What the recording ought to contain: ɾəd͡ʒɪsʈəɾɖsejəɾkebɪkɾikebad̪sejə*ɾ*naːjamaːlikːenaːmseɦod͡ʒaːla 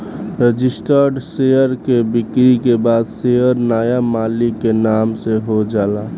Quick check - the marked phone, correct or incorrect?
correct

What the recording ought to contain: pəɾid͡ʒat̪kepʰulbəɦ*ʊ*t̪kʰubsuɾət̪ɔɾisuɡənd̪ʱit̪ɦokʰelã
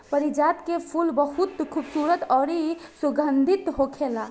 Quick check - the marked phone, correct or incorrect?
incorrect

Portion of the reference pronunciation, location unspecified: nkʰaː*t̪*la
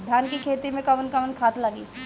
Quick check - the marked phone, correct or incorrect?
correct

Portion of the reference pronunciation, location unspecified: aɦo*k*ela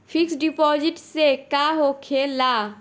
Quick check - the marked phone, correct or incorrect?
incorrect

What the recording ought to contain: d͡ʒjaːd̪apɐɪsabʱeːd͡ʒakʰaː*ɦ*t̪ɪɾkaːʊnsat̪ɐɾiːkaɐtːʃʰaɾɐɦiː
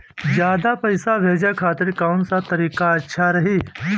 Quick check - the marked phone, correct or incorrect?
incorrect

